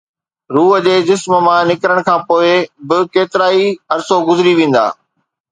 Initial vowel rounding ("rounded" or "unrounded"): rounded